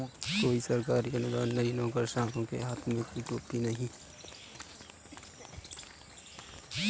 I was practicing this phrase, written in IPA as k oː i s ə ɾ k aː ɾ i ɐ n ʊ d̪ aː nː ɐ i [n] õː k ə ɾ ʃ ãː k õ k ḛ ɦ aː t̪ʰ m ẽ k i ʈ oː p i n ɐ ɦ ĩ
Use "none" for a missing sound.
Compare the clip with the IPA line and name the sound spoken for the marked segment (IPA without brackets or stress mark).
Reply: n